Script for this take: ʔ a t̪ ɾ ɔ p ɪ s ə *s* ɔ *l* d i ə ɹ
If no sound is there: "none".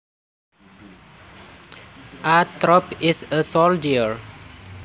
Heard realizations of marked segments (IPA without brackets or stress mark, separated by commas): s, l